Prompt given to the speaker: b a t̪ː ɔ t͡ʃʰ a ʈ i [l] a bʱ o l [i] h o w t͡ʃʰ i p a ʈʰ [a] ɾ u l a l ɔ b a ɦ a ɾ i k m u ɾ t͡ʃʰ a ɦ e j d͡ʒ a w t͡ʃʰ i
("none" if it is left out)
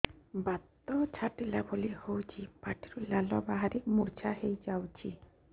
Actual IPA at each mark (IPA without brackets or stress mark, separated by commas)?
l, i, i